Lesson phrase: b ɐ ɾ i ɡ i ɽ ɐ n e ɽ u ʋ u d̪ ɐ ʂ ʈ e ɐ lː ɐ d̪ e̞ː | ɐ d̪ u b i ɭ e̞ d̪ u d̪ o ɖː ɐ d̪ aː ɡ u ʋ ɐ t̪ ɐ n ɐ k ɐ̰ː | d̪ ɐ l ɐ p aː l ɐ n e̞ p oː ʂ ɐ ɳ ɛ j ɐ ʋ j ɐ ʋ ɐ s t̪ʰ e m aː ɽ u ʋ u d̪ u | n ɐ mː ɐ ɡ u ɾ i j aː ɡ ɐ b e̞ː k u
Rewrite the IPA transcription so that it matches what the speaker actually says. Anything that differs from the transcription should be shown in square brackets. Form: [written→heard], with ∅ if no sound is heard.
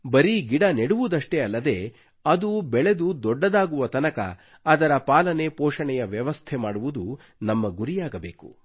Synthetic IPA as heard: b ɐ ɾ i ɡ i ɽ ɐ n e ɽ u ʋ u d̪ ɐ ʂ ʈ e ɐ lː ɐ d̪ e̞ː | ɐ d̪ u b [i→ɛ] ɭ e̞ d̪ u d̪ [o→ɔ] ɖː ɐ d̪ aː ɡ u ʋ ɐ t̪ ɐ n ɐ k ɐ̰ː | d̪ ɐ [l→ɾ] ɐ p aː l ɐ n e̞ p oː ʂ ɐ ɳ ɛ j ɐ ʋ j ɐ ʋ ɐ s t̪ʰ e m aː ɽ u ʋ u d̪ u | n ɐ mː ɐ ɡ u ɾ i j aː ɡ ɐ b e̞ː k u